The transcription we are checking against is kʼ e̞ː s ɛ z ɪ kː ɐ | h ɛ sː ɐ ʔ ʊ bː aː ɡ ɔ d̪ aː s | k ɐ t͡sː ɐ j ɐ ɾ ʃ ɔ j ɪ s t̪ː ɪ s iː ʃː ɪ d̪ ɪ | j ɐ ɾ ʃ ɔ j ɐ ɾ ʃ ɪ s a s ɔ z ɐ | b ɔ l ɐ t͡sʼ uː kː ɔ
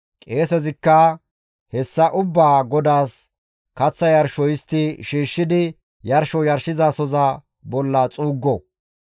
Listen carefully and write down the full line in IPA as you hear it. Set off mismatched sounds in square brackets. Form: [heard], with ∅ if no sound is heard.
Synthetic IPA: kʼ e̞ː s ɛ z ɪ kː ɐ | h ɛ sː ɐ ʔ ʊ bː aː ɡ ɔ d̪ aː s | k ɐ t͡sː ɐ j ɐ ɾ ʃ ɔ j ɪ s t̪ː ɪ [ʃ] iː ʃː ɪ d̪ ɪ | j ɐ ɾ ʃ ɔ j ɐ ɾ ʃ ɪ [z] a s ɔ z ɐ | b ɔ [lː] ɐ t͡sʼ uː [ɡː] ɔ